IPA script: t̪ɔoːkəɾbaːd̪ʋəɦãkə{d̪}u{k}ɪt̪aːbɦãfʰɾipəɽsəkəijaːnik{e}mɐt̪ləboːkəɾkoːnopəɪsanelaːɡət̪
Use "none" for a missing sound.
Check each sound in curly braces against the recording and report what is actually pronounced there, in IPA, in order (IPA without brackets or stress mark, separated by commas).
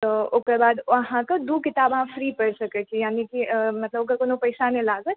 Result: d̪, k, i